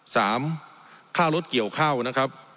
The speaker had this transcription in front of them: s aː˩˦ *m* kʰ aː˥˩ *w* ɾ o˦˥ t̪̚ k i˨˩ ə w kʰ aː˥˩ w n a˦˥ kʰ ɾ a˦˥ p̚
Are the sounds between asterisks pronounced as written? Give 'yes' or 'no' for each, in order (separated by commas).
yes, yes